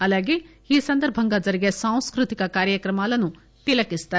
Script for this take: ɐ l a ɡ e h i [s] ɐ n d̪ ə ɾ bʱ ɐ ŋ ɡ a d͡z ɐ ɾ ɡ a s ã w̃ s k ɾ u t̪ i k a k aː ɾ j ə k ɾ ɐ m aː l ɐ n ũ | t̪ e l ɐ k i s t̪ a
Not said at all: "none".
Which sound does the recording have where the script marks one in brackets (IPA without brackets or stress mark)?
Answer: s